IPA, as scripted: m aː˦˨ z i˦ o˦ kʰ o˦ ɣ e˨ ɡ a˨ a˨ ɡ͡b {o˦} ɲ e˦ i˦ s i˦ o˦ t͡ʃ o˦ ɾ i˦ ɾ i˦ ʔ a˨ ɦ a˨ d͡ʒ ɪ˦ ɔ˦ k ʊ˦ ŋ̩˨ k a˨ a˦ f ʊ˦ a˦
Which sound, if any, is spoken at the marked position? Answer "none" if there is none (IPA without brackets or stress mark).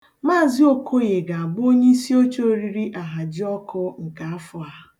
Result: o˦